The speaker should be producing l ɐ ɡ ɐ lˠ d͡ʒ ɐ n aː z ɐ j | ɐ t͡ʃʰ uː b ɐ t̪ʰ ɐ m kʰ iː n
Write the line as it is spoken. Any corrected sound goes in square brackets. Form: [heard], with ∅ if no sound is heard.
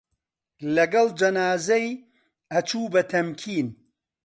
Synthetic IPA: l ɐ ɡ ɐ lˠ d͡ʒ ɐ n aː z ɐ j | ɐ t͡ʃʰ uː b ɐ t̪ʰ ɐ m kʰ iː n